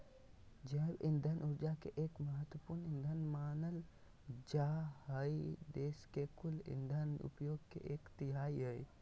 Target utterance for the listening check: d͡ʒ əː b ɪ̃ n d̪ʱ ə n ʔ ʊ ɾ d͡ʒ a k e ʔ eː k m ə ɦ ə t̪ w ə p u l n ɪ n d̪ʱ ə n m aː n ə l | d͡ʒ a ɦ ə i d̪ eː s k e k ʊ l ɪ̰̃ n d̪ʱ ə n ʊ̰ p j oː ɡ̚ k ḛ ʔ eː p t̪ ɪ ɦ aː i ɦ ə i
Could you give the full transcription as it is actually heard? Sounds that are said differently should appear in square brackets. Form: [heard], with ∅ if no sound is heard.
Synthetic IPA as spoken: d͡ʒ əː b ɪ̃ n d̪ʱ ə n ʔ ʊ ɾ d͡ʒ a k e ʔ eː k m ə ɦ ə t̪ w ə p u [ɾ] n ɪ n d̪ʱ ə n m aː n ə l | d͡ʒ a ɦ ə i d̪ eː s k e k ʊ l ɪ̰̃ n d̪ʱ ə n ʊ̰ p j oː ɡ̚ k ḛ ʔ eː [k] t̪ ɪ ɦ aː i ɦ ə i